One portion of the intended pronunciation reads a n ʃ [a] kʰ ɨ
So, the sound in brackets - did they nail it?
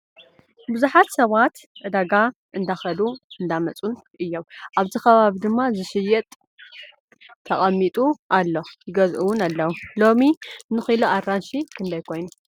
no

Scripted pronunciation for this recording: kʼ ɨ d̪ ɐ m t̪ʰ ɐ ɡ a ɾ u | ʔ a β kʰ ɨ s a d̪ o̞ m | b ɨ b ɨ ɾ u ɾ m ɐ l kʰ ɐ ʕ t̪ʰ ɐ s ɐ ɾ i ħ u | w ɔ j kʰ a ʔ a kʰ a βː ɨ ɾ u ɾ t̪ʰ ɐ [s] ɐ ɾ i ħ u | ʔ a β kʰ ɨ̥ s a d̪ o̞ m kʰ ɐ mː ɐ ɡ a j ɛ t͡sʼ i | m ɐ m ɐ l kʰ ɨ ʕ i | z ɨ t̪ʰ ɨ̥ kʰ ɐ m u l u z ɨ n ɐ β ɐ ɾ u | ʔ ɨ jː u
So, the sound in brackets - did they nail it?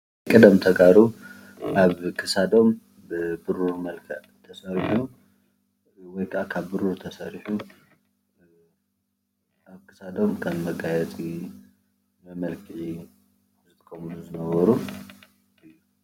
yes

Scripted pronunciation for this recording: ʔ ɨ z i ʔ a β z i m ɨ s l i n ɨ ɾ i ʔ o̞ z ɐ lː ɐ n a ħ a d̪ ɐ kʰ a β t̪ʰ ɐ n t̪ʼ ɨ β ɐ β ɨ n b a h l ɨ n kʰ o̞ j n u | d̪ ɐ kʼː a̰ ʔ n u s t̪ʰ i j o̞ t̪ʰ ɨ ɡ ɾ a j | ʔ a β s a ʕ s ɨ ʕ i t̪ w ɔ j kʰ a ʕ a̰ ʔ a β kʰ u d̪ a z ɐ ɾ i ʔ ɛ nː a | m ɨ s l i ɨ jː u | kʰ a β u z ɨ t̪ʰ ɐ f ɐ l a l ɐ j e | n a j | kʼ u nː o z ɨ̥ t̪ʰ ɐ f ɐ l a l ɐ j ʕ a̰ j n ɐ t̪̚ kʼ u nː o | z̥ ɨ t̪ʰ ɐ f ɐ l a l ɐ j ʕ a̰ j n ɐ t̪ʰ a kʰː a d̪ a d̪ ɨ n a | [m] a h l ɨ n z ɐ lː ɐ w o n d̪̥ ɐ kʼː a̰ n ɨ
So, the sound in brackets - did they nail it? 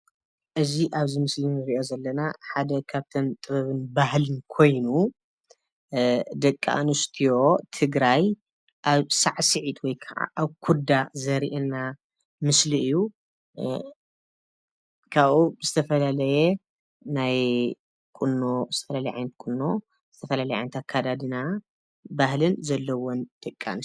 no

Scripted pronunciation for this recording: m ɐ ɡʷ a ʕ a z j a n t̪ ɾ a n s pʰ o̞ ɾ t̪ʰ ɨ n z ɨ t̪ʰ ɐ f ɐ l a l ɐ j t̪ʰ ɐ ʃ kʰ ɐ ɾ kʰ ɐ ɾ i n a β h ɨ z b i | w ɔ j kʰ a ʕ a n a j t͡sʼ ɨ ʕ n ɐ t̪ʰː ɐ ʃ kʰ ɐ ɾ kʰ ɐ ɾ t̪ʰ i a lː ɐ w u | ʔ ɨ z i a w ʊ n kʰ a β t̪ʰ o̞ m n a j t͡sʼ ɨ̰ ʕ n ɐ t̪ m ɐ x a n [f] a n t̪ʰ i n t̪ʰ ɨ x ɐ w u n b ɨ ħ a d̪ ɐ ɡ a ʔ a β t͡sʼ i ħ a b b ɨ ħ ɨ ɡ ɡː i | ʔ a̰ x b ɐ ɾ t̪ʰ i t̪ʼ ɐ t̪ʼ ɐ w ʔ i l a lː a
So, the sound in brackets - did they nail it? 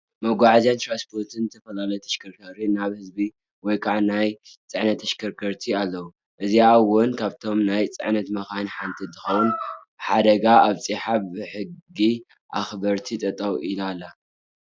no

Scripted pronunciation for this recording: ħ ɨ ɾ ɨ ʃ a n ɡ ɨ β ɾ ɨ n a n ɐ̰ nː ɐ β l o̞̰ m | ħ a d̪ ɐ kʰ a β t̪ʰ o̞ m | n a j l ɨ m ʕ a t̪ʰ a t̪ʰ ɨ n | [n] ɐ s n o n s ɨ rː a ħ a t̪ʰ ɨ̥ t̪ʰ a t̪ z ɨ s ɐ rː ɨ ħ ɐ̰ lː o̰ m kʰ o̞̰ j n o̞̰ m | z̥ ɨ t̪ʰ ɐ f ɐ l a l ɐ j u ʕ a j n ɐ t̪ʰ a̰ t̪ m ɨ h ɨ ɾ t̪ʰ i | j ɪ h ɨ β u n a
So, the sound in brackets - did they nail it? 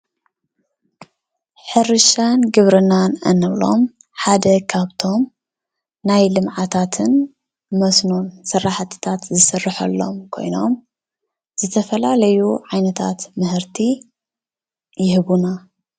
no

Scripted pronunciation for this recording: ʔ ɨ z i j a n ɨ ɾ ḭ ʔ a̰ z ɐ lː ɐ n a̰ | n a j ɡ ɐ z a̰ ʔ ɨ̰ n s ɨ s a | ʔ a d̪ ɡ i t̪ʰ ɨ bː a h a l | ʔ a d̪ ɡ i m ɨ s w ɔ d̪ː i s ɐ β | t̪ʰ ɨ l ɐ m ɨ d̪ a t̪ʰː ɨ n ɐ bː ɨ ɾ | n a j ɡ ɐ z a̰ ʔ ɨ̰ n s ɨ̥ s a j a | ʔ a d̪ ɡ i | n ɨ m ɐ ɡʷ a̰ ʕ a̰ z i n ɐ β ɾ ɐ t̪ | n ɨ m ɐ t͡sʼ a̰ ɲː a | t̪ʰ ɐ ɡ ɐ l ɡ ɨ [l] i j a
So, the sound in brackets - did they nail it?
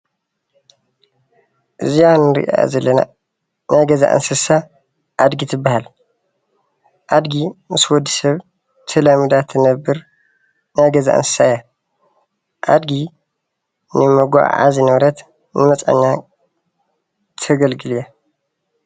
yes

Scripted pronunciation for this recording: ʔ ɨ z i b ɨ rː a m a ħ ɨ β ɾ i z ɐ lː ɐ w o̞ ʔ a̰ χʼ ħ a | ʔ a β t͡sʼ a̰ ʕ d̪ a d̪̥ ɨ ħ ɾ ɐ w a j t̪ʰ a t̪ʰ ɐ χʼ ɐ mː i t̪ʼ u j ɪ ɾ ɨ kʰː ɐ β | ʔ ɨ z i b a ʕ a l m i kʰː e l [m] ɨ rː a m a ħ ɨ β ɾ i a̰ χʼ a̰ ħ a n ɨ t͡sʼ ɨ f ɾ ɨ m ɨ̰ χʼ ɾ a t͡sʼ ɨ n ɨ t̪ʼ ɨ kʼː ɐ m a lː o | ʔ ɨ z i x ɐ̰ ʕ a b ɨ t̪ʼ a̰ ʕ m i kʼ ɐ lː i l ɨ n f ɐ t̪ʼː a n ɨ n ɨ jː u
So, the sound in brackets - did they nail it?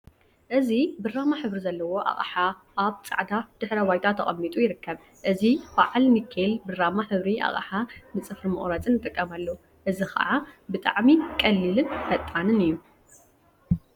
no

